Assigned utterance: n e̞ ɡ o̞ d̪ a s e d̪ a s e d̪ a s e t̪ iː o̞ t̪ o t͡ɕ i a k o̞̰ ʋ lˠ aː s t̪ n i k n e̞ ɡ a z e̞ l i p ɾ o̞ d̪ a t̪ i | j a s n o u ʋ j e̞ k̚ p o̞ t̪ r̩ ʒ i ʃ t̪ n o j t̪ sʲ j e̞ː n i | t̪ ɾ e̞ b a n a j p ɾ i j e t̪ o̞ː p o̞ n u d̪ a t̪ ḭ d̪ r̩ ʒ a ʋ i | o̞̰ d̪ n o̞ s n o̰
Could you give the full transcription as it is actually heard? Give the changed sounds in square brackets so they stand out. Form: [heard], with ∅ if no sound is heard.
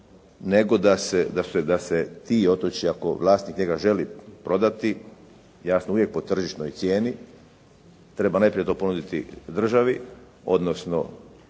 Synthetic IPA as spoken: n e̞ ɡ o̞ d̪ a s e d̪ a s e d̪ a s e t̪ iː o̞ t̪ o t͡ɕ i a k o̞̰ ʋ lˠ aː s t̪ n i k [ɲ] e̞ ɡ a [ʒ] e̞ l i p ɾ o̞ d̪ a t̪ i | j a s n o u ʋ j e̞ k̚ p o̞ t̪ r̩ ʒ i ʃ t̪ n o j t̪ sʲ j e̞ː n i | t̪ ɾ e̞ b a n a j p ɾ i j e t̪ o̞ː p o̞ n u d̪ [i] t̪ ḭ d̪ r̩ ʒ a ʋ i | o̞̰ d̪ n o̞ s n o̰